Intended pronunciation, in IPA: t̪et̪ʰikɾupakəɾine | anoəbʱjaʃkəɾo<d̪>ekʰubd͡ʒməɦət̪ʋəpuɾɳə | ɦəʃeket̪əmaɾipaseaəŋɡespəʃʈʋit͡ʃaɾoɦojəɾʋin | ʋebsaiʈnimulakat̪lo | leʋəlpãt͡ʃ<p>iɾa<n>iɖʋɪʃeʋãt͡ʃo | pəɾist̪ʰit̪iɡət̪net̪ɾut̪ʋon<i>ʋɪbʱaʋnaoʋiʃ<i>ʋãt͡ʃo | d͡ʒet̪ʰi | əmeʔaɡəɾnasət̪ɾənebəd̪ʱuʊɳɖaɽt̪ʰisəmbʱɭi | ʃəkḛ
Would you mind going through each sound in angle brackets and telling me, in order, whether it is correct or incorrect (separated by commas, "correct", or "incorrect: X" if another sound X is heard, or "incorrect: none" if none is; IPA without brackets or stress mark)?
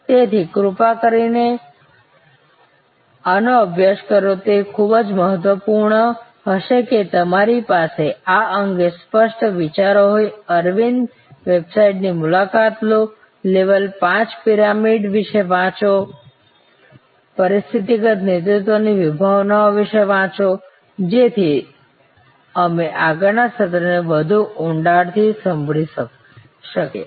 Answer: incorrect: t̪, correct, incorrect: m, correct, incorrect: e